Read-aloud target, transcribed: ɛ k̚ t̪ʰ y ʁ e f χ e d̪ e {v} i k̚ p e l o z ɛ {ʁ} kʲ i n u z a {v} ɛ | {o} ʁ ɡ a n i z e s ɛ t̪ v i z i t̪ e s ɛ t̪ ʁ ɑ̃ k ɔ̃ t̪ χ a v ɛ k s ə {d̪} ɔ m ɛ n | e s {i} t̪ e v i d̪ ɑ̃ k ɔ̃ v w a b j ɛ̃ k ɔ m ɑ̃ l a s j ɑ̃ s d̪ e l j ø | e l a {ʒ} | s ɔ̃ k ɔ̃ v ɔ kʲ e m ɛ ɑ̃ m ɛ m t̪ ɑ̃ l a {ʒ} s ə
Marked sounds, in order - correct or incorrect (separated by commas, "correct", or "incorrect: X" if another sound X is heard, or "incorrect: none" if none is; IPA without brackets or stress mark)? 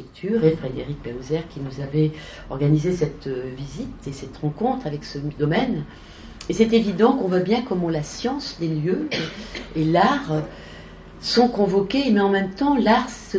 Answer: incorrect: ʁ, correct, correct, incorrect: ɔ, correct, incorrect: ɛ, incorrect: ʁ, incorrect: ʁ